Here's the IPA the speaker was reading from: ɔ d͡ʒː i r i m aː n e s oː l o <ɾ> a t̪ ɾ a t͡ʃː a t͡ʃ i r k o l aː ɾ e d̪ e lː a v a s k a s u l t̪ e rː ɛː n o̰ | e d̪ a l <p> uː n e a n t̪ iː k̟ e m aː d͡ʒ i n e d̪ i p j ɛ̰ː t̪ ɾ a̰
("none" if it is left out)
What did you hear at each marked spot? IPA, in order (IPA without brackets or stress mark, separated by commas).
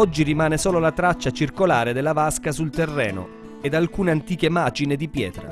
l, k